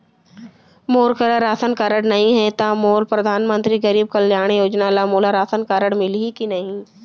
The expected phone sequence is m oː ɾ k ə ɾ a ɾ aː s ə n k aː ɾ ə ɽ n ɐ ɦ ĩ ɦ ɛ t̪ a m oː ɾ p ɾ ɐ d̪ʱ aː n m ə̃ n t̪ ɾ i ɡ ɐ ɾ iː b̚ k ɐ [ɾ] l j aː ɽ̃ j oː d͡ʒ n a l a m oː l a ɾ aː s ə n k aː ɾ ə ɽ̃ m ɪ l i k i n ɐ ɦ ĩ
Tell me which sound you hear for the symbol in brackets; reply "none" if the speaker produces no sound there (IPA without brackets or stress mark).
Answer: none